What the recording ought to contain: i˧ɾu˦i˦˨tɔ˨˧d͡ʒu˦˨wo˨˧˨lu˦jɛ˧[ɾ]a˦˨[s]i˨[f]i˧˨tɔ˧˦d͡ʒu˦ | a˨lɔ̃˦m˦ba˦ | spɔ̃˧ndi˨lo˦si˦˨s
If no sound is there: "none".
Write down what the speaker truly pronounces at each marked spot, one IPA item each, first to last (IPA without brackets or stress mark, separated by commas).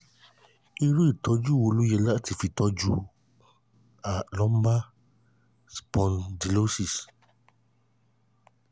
l, t, f